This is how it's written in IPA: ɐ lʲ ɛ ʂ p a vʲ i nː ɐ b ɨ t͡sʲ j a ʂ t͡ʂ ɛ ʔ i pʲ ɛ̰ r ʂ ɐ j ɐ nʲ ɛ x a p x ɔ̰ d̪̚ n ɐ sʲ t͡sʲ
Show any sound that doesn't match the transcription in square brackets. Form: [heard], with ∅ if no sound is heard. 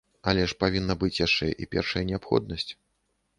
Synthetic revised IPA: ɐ lʲ ɛ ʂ p a vʲ i nː ɐ b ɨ t͡sʲ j a ʂ t͡ʂ ɛ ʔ i pʲ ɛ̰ r ʂ ɐ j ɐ nʲ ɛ [∅] a p x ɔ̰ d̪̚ n ɐ sʲ t͡sʲ